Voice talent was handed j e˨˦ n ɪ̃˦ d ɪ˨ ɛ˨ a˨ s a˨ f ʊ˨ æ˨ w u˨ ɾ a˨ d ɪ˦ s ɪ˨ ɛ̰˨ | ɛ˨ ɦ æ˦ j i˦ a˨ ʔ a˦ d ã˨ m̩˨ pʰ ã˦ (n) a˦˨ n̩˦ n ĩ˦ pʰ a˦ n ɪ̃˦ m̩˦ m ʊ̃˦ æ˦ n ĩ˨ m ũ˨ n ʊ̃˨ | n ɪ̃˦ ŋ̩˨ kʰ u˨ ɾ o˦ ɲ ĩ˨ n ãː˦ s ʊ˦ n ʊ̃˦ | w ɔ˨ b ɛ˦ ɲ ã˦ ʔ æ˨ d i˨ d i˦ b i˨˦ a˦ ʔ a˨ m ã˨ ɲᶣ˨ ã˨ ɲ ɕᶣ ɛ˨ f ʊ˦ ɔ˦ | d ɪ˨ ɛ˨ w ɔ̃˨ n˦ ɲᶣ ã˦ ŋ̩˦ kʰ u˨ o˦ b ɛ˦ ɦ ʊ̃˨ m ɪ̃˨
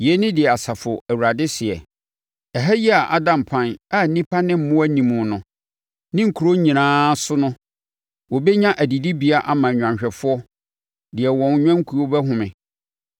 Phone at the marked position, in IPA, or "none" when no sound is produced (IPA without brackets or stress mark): n